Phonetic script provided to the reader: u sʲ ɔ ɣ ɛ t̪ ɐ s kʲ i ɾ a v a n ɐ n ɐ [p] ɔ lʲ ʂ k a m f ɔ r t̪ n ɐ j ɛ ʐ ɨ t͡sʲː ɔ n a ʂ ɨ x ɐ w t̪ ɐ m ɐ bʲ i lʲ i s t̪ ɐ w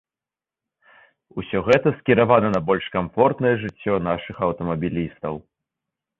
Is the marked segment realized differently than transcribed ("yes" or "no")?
yes